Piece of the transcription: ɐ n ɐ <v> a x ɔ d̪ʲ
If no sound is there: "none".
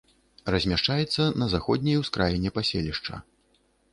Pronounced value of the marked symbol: z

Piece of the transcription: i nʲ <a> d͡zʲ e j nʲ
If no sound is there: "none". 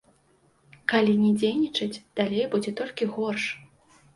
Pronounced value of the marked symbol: ɛ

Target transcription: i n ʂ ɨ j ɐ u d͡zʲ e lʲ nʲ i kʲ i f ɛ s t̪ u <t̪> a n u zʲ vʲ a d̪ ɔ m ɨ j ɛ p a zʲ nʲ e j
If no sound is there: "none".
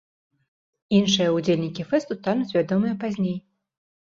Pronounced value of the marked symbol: t̪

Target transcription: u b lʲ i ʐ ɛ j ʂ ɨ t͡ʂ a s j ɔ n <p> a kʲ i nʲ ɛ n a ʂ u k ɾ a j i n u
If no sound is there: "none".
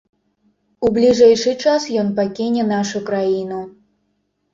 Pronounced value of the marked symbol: p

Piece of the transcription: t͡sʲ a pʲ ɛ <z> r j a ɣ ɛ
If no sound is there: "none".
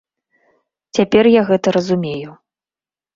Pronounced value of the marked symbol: none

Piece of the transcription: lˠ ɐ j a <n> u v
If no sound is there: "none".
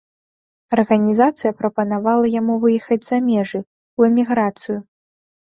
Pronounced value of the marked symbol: m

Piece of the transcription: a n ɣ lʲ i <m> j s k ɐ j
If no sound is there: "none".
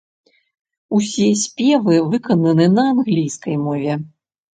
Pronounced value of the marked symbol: none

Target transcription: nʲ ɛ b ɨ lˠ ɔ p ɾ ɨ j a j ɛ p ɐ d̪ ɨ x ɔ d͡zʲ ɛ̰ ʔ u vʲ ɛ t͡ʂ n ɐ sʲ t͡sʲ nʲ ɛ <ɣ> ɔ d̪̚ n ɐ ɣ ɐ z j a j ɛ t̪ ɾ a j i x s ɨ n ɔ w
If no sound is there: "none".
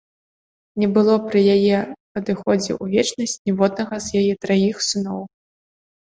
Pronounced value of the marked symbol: v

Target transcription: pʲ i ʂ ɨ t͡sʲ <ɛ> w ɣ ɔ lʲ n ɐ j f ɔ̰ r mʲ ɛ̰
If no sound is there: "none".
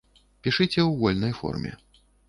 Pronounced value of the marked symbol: ɛ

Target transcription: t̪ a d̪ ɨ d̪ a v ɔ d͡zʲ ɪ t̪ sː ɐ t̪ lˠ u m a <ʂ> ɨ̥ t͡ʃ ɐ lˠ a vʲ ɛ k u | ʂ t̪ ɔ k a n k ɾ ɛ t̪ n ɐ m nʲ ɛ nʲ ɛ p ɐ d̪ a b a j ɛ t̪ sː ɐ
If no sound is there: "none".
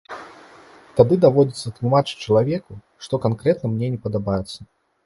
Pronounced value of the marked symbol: t͡ʂ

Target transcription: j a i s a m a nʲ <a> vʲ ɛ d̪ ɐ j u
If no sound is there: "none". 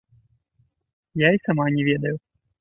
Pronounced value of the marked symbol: ɛ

